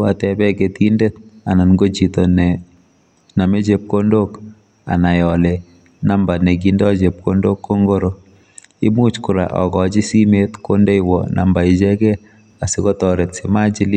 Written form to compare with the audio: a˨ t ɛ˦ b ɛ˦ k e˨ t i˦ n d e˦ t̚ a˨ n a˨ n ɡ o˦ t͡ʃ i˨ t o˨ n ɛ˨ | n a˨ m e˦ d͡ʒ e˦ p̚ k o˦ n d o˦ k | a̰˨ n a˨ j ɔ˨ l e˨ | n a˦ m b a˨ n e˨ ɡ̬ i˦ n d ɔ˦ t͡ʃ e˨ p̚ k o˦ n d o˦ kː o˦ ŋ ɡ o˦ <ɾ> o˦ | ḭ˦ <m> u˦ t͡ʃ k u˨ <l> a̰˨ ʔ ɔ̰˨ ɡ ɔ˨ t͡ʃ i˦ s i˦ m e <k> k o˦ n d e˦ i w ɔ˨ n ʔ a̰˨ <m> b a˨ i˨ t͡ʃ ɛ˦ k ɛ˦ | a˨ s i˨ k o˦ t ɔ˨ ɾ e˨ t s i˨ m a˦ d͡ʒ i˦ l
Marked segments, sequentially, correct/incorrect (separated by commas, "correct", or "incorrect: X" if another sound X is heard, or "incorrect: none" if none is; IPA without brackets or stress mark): correct, correct, incorrect: ɾ, incorrect: t, correct